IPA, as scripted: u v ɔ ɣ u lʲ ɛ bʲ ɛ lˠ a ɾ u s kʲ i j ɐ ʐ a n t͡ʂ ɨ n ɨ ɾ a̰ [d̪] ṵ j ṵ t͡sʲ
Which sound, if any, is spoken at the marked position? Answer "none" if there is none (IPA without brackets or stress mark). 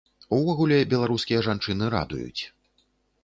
d̪